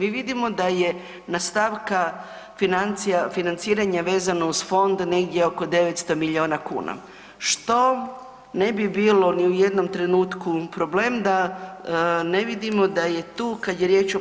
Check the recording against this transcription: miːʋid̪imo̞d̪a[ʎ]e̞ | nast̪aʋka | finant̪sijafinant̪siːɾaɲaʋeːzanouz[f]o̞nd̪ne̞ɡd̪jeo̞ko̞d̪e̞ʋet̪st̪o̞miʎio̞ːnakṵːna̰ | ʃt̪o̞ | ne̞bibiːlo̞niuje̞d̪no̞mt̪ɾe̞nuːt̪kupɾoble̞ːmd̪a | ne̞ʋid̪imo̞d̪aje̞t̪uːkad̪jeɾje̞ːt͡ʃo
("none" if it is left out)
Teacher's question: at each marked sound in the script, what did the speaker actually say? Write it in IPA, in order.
j, f

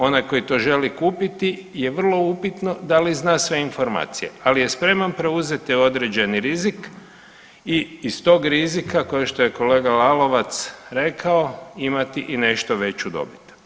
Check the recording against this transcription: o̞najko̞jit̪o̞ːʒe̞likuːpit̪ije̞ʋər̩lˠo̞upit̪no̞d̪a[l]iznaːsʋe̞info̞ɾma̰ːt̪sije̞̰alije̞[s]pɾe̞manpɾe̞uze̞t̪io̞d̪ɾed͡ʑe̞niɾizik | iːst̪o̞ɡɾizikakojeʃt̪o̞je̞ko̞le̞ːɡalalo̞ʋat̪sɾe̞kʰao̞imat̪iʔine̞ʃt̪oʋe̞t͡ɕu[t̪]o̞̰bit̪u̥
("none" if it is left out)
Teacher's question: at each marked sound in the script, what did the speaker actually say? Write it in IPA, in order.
l, s, d̪

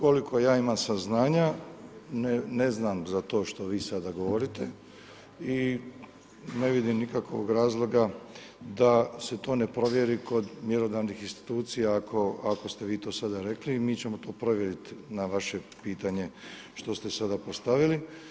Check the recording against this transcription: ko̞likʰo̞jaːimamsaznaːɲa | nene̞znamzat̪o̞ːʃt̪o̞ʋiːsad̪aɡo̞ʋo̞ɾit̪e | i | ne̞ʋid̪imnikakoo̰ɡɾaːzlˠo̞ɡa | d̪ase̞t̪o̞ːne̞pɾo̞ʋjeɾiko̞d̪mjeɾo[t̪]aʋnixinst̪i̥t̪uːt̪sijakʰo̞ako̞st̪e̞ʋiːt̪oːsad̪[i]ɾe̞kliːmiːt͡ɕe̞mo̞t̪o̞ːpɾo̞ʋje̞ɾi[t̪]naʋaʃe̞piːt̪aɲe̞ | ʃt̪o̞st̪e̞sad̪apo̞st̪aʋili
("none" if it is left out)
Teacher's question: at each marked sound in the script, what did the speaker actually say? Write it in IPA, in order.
d̪, a, t̪

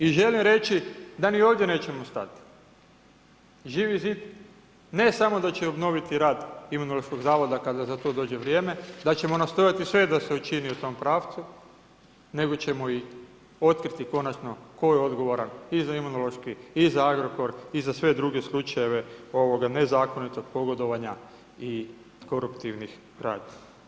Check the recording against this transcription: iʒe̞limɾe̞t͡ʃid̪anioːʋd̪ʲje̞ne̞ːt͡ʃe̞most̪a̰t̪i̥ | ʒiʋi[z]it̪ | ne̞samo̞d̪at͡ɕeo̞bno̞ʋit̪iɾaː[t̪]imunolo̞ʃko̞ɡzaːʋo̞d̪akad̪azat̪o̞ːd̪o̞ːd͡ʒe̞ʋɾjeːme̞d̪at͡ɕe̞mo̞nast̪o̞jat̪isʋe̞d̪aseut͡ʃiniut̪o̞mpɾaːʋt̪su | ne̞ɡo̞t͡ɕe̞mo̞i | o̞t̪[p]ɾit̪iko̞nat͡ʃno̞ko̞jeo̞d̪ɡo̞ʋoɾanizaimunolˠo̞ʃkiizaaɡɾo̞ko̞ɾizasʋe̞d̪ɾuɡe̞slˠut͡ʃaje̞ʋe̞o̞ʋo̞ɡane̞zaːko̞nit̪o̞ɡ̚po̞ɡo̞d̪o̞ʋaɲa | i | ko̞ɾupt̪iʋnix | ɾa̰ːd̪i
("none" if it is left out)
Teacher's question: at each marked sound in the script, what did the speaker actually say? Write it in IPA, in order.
z, d̪, k

